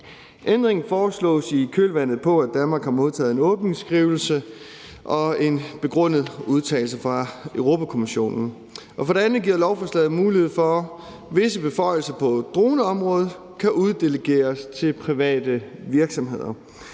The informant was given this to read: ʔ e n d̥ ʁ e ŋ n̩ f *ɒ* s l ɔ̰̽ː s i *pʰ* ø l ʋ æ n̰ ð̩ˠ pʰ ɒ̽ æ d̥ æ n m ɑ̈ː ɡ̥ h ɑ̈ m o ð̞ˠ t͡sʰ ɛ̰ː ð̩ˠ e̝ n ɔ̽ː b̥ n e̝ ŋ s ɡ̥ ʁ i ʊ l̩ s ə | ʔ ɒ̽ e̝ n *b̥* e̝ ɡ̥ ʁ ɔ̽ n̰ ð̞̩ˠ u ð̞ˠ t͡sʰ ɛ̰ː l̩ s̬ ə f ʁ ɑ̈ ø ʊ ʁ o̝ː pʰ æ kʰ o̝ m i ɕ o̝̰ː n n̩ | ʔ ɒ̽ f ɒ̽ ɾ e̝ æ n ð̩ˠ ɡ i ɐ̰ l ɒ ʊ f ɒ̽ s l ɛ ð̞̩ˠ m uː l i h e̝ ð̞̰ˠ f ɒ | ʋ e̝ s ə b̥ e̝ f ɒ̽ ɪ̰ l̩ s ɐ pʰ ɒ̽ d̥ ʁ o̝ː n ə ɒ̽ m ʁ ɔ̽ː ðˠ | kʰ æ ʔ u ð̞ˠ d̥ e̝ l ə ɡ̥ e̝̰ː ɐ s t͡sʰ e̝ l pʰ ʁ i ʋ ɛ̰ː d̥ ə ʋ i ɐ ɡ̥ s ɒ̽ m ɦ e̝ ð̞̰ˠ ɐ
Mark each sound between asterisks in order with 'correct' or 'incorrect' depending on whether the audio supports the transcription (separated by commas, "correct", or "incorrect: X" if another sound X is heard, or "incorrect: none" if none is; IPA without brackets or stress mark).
incorrect: ɒː, incorrect: kʰ, correct